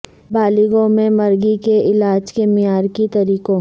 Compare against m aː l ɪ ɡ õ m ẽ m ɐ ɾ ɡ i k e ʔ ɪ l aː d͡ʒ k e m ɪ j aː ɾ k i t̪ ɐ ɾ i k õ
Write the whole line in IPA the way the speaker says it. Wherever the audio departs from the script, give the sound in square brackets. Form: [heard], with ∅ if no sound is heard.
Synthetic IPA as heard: [b] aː l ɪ ɡ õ m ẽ m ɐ ɾ ɡ i k e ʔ ɪ l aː d͡ʒ k e m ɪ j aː ɾ k i t̪ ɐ ɾ [iː] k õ